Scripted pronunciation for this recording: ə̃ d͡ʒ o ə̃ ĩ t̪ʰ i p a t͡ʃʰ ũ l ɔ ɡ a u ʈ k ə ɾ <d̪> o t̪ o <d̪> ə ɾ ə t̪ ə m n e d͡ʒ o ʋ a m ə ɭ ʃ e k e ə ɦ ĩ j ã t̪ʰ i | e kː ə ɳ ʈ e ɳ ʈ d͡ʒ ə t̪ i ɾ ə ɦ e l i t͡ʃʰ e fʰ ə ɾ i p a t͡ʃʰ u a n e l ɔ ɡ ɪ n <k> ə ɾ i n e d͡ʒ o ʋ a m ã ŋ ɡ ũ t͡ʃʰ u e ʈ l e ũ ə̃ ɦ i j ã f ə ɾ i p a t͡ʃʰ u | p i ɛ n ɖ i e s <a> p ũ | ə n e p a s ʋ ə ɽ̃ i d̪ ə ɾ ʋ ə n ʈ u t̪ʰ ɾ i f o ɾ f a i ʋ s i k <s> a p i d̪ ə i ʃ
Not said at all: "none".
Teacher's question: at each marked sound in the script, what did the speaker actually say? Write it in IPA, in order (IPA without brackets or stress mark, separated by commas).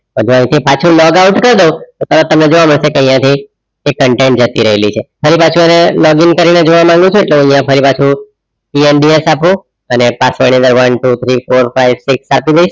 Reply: d̪, t̪, k, a, s